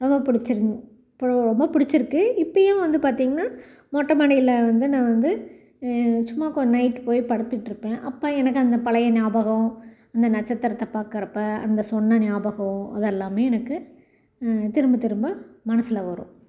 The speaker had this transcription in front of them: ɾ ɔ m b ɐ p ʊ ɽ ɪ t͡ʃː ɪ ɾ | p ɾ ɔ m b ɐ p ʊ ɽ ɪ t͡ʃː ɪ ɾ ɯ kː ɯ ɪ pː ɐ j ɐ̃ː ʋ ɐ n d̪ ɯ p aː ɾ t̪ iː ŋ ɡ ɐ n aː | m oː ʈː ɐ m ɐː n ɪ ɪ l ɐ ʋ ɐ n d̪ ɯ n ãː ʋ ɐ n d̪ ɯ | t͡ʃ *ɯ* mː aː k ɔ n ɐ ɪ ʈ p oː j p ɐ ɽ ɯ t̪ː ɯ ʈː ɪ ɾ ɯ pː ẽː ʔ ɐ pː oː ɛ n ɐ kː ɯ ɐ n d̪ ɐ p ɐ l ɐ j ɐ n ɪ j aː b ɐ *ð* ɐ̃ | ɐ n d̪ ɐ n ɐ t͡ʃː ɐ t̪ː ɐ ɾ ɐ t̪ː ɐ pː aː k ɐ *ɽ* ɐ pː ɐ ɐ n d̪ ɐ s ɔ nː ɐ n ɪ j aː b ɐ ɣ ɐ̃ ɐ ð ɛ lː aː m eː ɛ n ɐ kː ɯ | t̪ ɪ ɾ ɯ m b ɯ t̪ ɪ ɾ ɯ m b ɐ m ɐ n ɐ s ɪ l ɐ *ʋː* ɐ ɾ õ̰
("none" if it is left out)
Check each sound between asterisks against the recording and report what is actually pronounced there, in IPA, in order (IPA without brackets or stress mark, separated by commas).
ʊ, ɣ, ɾ, ʋ